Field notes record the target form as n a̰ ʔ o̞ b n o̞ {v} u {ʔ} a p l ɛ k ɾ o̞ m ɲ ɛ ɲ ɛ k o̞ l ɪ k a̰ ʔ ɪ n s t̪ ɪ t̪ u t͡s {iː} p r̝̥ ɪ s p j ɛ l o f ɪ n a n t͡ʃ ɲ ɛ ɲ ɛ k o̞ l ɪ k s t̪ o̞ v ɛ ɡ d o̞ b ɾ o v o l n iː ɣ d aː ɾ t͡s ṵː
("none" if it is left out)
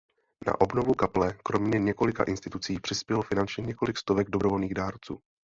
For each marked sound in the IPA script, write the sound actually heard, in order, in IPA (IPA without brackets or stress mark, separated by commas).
v, k, iː